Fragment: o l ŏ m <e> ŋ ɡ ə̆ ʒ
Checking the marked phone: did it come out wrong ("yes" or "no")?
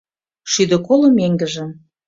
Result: no